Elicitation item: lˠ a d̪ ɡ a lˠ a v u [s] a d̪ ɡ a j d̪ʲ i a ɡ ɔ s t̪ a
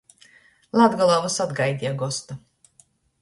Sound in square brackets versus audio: correct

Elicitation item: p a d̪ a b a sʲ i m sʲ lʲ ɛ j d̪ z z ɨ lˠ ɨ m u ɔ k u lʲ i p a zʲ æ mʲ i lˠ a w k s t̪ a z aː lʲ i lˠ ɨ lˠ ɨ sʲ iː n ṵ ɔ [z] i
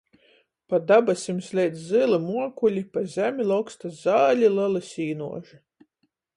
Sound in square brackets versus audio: incorrect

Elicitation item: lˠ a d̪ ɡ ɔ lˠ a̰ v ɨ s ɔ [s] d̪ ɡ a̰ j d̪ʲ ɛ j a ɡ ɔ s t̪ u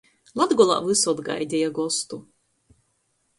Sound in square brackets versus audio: incorrect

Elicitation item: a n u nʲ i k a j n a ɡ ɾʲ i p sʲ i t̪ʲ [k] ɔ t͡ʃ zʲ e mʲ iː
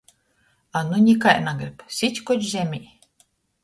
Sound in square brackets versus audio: correct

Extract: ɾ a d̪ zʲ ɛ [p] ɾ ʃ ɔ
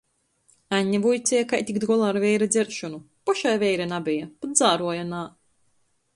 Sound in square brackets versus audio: incorrect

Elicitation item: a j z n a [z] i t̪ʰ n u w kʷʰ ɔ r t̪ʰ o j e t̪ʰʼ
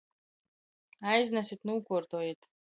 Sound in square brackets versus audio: incorrect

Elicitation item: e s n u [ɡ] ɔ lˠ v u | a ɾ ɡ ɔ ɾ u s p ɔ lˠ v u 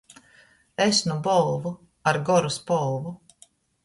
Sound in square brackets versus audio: incorrect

